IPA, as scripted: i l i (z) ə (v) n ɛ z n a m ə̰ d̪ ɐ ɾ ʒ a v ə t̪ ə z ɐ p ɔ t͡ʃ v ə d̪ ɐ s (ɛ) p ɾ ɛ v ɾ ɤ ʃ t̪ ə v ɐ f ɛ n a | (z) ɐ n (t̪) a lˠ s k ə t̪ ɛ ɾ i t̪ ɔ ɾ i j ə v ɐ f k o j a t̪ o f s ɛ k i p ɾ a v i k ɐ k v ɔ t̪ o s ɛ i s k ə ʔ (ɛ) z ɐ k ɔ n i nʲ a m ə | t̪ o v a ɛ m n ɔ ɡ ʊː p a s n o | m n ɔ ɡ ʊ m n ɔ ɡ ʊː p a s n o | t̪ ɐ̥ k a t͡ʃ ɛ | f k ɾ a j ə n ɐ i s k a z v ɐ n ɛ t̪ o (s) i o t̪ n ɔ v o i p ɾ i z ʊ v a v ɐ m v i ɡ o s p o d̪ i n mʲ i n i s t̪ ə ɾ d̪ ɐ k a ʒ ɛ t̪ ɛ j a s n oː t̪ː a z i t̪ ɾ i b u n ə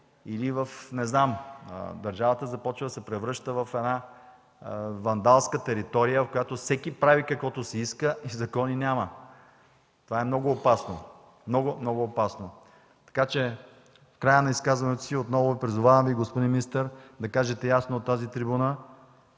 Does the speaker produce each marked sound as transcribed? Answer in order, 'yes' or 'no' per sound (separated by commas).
no, no, yes, no, no, no, yes